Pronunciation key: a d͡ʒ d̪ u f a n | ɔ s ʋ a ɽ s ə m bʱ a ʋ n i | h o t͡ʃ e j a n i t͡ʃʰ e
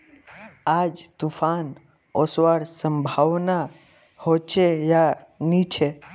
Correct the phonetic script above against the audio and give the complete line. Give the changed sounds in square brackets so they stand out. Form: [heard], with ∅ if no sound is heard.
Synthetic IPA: a d͡ʒ [t̪] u f a n | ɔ s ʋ a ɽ s ə m bʱ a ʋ n [a] | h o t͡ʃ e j a n i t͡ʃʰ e